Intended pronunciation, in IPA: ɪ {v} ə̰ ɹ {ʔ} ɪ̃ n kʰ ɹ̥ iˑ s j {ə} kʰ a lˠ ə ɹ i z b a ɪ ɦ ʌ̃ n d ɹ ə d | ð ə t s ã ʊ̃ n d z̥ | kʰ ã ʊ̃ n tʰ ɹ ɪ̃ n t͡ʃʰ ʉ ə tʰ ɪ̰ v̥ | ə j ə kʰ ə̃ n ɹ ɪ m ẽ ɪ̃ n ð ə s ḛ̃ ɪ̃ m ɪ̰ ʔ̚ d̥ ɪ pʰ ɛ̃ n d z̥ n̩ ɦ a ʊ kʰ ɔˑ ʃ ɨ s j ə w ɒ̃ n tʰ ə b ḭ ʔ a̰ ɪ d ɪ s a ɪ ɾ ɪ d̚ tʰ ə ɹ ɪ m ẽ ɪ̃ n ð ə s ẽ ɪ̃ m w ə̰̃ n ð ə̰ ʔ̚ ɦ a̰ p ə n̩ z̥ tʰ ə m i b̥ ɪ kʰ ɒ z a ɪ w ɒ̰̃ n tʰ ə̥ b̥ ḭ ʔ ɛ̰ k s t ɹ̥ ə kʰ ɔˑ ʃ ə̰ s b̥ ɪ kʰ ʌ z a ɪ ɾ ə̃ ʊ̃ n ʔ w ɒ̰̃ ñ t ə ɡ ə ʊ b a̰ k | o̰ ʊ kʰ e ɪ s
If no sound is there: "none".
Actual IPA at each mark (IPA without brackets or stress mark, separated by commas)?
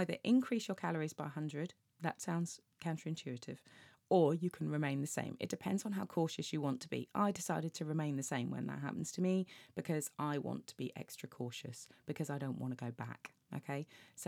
ð, ʔ, ə